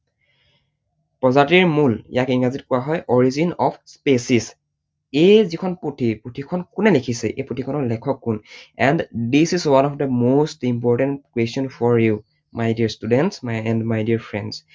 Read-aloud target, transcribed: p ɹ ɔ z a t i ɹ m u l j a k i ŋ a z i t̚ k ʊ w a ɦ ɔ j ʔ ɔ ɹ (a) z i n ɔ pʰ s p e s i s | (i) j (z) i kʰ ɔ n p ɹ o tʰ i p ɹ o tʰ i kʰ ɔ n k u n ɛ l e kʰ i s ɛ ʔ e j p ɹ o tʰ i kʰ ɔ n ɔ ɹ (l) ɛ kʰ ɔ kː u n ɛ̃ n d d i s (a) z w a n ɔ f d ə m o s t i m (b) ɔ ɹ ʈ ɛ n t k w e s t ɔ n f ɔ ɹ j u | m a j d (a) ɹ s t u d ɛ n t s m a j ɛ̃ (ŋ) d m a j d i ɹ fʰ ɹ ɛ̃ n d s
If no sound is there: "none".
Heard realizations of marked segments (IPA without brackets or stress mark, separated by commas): i, e, z, l, i, p, i, n